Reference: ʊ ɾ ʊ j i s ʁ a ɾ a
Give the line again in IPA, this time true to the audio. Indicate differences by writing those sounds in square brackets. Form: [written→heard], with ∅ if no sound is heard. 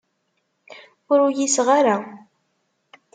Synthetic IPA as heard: ʊ ɾ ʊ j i s ʁ a ɾ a